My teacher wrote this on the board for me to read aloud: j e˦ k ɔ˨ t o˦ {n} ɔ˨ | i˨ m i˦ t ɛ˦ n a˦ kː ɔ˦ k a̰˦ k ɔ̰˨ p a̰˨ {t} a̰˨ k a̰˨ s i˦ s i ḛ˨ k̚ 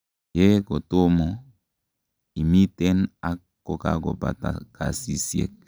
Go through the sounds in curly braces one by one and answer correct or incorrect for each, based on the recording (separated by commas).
incorrect, correct